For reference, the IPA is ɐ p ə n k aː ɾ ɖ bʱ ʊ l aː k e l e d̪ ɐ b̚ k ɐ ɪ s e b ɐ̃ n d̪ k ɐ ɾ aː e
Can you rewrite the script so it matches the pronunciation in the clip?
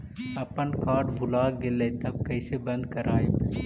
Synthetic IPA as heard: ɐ p ə n k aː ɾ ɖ bʱ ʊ l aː ɡ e l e t̪ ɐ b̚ k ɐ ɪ s e b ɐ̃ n d̪ k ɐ ɾ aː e